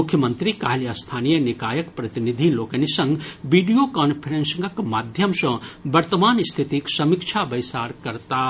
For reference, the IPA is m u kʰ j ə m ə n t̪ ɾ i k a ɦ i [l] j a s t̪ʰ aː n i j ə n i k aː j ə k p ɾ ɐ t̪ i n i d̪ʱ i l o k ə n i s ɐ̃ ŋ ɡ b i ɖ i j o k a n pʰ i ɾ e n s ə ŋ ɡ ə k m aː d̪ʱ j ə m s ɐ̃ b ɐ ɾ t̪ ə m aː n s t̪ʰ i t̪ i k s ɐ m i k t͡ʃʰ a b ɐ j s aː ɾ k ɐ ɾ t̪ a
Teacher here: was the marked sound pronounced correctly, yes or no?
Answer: yes